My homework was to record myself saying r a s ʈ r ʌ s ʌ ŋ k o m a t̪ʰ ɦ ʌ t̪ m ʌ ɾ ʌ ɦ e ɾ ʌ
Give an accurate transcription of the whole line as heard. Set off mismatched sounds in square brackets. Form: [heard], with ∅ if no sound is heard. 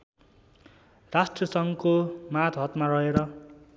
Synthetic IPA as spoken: r a s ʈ r ʌ s ʌ ŋ k o m a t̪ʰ ɦ ʌ t̪ m [a] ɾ ʌ ɦ e ɾ ʌ